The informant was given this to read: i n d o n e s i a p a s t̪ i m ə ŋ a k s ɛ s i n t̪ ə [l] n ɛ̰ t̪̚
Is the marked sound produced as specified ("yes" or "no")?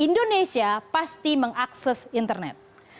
no